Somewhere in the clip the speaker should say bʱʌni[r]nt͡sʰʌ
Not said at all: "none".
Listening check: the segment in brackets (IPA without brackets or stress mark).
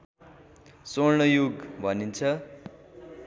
none